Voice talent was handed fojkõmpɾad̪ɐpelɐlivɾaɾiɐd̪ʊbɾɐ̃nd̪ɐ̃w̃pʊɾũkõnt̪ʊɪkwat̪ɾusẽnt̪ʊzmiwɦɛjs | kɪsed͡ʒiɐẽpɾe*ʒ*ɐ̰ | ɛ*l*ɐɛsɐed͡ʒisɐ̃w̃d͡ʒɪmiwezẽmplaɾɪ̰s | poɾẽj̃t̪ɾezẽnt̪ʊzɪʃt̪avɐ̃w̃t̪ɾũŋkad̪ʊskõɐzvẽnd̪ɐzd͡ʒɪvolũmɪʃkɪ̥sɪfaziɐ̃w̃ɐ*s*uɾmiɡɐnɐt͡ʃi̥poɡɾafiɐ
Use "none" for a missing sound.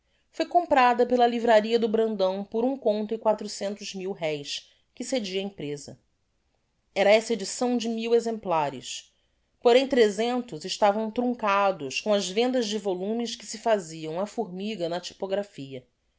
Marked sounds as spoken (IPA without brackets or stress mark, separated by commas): z, ɾ, f